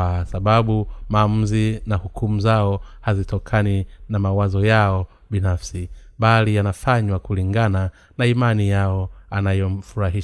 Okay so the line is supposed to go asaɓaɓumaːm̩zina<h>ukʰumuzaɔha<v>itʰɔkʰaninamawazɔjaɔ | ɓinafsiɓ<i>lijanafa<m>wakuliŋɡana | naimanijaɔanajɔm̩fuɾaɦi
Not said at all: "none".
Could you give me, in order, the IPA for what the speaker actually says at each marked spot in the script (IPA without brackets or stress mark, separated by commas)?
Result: h, z, a, ɲ